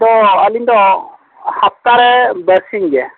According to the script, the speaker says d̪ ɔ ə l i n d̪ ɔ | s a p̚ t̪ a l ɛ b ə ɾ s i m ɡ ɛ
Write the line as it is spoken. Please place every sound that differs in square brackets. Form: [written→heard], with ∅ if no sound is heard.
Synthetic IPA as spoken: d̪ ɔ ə l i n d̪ ɔ | [s→h] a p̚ t̪ a [l→ɾ] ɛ b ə ɾ s i [m→ŋ] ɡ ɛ